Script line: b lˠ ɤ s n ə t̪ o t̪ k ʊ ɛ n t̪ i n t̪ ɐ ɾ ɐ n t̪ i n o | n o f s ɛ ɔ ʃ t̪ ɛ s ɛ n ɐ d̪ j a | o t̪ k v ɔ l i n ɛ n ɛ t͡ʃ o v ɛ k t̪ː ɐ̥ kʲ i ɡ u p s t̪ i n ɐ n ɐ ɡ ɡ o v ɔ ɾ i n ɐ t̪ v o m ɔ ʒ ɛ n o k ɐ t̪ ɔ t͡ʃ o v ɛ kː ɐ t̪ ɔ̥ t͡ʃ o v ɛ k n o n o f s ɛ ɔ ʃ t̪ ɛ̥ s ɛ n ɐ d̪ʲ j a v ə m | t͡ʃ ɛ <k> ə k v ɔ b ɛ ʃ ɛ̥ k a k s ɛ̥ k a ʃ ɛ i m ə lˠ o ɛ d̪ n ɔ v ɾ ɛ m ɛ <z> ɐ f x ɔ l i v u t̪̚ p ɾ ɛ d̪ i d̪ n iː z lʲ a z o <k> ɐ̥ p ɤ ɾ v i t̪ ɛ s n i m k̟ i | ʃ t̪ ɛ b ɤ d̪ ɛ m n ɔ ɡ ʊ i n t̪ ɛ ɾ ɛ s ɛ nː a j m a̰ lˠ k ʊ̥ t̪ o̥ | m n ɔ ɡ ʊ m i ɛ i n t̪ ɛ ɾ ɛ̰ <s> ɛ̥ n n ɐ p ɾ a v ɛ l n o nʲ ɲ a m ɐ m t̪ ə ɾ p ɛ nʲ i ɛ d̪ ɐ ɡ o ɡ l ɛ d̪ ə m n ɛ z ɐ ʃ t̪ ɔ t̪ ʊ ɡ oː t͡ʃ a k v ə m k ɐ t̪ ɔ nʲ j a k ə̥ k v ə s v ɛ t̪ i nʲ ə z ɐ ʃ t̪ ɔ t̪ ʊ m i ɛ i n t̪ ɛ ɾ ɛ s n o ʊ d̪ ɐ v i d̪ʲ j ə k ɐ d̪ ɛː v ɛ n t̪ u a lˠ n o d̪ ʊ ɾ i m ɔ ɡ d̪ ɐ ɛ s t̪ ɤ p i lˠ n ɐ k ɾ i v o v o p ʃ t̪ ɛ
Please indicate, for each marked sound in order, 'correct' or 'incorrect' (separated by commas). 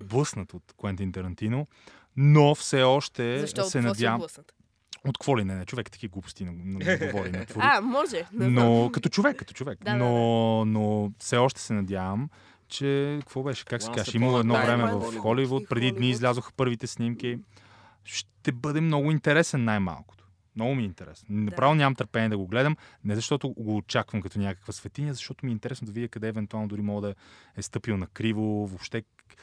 correct, incorrect, incorrect, correct